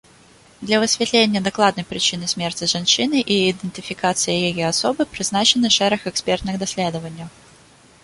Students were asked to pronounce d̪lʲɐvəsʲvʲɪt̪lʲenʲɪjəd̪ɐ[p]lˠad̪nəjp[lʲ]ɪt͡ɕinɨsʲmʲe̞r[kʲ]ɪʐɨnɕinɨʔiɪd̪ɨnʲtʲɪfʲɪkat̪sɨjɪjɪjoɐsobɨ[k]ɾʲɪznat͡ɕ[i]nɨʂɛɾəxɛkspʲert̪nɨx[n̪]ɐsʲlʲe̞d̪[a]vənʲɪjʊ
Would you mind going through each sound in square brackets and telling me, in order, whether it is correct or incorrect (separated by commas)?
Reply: incorrect, incorrect, incorrect, incorrect, incorrect, incorrect, incorrect